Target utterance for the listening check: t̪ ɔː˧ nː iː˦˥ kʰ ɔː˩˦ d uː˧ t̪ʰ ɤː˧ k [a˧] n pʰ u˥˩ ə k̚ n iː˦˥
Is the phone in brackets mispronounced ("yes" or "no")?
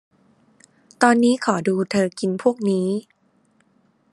yes